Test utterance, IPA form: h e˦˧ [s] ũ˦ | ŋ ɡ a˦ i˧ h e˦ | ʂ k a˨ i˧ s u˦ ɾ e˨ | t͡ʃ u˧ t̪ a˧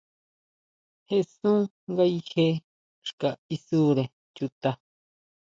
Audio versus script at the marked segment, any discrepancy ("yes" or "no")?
no